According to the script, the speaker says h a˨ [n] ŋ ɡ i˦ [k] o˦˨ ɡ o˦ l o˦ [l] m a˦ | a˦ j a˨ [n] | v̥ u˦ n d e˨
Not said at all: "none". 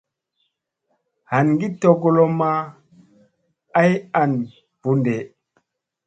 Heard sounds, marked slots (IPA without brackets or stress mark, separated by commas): n, t, none, n